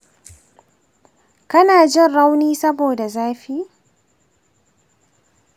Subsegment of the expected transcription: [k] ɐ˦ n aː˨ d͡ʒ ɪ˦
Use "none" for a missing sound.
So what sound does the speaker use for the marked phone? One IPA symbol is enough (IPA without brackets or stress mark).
k